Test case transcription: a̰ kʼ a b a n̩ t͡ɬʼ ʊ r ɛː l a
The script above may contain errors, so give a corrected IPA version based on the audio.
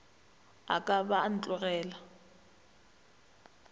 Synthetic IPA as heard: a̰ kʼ a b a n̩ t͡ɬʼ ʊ r ɛː l a